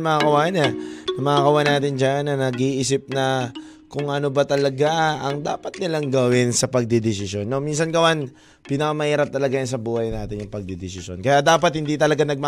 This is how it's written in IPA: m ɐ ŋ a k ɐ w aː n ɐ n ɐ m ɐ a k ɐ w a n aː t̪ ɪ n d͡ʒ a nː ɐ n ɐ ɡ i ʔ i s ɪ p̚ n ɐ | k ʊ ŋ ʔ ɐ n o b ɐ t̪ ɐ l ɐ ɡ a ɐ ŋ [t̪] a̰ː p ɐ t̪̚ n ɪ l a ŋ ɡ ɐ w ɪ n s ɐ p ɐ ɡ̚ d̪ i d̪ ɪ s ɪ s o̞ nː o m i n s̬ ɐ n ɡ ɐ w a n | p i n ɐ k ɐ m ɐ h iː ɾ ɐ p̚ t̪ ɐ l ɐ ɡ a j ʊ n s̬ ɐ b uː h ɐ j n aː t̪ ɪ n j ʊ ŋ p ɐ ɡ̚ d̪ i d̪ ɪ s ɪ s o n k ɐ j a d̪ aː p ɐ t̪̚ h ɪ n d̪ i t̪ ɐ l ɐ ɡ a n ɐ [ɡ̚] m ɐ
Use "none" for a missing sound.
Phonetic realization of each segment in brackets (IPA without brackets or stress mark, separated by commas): d̪, ɡ̚